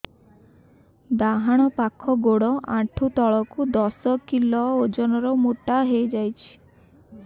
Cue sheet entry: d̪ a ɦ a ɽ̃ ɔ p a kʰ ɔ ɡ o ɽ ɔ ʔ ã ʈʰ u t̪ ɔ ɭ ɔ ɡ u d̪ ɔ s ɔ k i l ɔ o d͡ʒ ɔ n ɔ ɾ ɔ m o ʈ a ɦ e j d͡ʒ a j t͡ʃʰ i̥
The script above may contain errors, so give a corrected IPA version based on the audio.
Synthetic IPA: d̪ a ɦ a ɽ̃ ɔ p a kʰ ɔ ɡ o ɽ ɔ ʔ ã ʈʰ u t̪ ɔ ɭ ɔ k u d̪ ɔ s ɔ k i l ɔ o d͡ʒ ɔ n ɔ ɾ ɔ m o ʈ a ɦ e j d͡ʒ a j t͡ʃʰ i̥